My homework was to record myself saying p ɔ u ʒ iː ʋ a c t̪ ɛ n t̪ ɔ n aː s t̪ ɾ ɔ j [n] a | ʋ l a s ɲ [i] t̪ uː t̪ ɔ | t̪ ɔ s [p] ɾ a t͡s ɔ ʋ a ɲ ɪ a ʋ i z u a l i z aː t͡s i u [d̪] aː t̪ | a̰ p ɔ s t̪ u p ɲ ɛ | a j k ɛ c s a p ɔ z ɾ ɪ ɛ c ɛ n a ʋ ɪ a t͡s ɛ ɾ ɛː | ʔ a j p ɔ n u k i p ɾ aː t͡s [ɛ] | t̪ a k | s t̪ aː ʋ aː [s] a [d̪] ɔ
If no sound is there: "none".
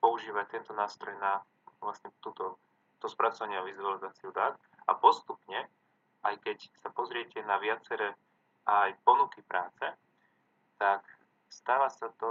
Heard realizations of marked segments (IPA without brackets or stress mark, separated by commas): n, ɛ, p, d̪, ɛ, s, t̪